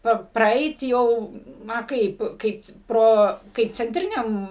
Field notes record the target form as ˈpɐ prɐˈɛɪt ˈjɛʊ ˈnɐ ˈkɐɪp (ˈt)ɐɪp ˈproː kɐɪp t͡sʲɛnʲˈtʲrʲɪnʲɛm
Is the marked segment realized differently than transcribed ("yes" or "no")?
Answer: yes